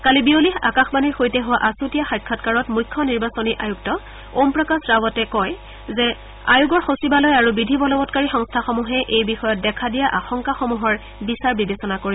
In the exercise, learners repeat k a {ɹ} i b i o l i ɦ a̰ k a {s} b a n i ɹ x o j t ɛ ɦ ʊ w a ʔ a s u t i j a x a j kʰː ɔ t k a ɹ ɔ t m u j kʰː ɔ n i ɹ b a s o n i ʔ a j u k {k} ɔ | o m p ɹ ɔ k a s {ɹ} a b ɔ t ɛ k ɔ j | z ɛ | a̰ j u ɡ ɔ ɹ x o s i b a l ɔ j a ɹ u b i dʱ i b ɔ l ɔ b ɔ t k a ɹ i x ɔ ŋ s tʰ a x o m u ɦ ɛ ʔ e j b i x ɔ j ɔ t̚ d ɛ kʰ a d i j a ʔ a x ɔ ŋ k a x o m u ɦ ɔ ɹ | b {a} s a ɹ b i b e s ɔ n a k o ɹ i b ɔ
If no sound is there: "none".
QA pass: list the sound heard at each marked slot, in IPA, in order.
l, x, t, ɹ, i

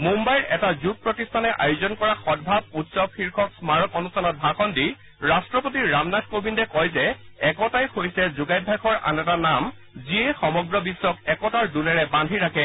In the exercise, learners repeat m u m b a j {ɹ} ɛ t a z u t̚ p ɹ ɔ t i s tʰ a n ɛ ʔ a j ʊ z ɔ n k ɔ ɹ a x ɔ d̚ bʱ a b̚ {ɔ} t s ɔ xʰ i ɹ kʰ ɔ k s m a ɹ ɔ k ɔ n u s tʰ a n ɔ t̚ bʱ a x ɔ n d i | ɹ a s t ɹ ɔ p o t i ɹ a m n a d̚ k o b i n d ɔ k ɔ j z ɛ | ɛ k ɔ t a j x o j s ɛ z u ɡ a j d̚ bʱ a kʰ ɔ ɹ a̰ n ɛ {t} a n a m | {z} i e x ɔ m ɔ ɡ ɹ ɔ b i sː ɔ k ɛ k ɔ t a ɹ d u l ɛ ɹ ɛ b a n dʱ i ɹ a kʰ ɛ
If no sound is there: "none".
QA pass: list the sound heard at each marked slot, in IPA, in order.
ɹ, u, t, z

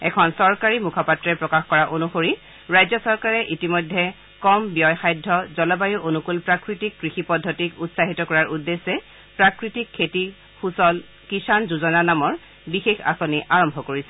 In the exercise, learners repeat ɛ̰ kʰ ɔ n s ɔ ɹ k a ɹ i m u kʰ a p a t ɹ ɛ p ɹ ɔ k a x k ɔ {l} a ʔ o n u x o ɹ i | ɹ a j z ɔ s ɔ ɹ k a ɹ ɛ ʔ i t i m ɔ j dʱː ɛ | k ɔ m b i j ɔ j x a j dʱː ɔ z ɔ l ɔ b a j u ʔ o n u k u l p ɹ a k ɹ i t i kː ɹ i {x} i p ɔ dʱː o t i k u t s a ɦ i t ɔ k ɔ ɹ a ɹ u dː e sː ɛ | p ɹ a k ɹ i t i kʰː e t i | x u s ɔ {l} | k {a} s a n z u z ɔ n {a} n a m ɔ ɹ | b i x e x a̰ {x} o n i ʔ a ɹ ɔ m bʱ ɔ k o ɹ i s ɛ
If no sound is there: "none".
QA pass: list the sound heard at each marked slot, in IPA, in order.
ɹ, x, l, i, a, s

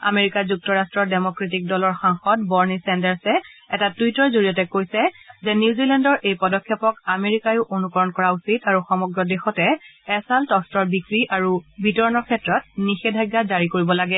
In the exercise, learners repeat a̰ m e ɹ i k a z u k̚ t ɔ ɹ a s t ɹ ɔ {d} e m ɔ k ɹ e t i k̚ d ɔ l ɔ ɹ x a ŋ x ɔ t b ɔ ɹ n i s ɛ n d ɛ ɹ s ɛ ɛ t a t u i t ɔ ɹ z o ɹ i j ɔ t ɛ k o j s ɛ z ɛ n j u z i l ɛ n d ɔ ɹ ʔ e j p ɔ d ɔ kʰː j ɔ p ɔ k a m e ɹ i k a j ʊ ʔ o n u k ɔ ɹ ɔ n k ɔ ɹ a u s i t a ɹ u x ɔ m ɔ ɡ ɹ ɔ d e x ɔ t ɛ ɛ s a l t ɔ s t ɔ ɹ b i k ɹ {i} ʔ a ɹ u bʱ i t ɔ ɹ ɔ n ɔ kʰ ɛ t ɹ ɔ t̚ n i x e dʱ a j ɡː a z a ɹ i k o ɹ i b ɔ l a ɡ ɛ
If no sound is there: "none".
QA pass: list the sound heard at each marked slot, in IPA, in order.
d, i

